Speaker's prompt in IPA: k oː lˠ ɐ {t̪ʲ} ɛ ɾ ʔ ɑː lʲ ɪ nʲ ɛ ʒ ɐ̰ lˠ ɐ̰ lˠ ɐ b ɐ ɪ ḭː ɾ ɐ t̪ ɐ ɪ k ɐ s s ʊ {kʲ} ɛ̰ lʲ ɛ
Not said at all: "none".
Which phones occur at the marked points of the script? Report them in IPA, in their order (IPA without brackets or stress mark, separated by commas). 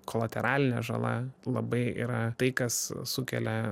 t̪ʲ, kʲ